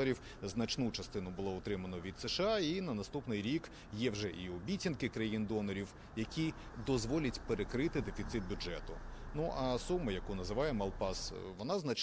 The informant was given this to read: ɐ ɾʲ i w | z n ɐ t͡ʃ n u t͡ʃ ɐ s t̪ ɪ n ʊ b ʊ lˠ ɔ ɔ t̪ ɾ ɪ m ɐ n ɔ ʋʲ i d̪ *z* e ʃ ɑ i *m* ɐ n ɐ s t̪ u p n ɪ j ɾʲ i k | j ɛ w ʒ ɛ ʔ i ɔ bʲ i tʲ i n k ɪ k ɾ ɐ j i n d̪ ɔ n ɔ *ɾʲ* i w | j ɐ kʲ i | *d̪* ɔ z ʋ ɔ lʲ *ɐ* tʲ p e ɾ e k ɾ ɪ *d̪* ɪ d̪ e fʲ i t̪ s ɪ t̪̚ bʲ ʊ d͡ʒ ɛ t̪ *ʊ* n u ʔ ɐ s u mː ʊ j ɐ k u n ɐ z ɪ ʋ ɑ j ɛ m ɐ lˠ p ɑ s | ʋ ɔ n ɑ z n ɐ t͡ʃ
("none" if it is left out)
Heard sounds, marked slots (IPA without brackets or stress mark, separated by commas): s, n, ɾʲ, d̪, ɐ, t̪, ʊ